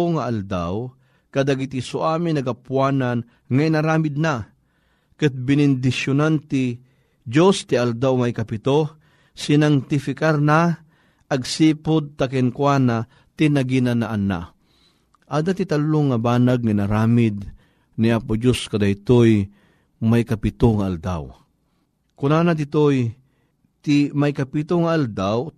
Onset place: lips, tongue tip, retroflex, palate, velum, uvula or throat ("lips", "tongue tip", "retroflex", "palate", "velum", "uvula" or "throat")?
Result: velum